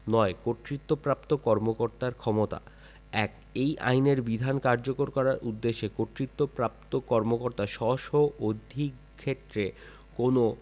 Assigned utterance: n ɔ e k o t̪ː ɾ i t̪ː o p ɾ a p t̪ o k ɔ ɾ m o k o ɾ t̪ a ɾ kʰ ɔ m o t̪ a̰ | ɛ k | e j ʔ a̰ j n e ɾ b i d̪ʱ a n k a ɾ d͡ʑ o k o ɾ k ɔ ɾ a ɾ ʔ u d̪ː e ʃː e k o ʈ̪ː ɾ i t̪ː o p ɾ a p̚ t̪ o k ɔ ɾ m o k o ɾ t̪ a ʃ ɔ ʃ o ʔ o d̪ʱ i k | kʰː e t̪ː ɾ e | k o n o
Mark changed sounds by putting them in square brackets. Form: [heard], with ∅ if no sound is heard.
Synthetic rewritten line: n ɔ e k o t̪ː ɾ i t̪ː o p ɾ a p t̪ o k ɔ ɾ m o k o ɾ t̪ a ɾ kʰ ɔ m o t̪ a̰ | ɛ k | e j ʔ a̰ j n e ɾ b i d̪ʱ a n k a ɾ d͡ʑ o k o ɾ k ɔ ɾ a ɾ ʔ u d̪ː e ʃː e k o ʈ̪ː ɾ i t̪ː o p ɾ a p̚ t̪ o k ɔ ɾ m o k o ɾ t̪ a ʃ ɔ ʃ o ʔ o d̪ʱ i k | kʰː e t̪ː ɾ e | k o n o